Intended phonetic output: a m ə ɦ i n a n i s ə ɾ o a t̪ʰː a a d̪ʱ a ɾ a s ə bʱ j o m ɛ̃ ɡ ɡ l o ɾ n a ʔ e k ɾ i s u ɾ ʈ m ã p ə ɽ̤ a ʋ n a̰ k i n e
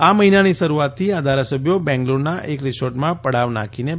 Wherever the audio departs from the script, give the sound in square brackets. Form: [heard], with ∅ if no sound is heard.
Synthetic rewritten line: a m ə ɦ i n a n i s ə ɾ [u] a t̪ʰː [i] a d̪ʱ a ɾ a s ə bʱ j o [b] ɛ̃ [ŋ] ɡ l o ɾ n a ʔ e k ɾ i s [o] ɾ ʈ m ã p ə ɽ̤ a ʋ n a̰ k i n e